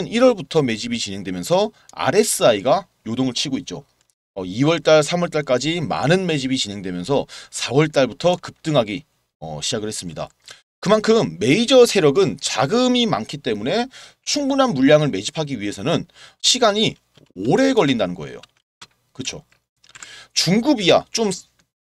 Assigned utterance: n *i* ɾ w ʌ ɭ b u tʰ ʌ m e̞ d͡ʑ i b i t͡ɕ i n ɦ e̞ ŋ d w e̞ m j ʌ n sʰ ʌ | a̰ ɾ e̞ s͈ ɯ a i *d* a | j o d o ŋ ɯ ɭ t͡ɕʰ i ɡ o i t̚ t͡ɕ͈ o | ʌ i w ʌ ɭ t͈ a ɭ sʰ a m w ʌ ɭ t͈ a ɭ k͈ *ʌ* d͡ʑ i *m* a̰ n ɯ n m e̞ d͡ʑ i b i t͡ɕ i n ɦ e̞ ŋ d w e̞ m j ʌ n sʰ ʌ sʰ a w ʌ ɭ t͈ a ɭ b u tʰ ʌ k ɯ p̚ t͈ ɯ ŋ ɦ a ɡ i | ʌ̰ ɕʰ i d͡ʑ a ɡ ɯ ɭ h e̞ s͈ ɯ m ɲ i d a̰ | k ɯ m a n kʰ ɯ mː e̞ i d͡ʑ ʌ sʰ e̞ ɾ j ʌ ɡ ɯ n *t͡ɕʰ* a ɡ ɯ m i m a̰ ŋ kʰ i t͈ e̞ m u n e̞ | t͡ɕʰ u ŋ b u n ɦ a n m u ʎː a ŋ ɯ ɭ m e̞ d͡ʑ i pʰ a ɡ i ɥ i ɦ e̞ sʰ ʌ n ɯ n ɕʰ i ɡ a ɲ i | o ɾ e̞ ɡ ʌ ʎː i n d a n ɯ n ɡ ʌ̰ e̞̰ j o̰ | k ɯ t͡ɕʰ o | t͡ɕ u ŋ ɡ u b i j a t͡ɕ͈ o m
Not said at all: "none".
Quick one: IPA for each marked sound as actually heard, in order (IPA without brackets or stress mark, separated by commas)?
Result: i, ɡ, a, m, t͡ɕ